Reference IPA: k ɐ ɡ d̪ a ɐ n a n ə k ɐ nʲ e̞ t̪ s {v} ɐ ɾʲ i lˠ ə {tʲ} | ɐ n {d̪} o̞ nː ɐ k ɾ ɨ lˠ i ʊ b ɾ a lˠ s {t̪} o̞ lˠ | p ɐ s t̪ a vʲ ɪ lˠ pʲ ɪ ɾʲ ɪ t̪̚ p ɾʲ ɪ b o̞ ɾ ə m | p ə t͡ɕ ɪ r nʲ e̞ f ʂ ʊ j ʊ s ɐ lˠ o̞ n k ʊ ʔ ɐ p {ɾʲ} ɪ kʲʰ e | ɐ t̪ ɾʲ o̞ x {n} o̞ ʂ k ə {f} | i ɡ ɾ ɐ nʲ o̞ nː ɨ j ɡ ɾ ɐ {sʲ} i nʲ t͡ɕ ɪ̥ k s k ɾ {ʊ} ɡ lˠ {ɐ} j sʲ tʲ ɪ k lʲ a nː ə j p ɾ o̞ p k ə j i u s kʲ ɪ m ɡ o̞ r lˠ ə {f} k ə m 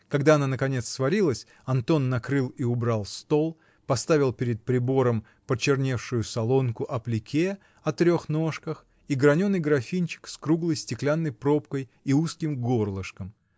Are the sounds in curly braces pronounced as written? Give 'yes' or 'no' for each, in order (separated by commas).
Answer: yes, no, no, yes, no, yes, no, no, no, no, no